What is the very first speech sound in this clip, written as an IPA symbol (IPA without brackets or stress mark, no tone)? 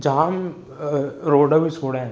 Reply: d͡ʒ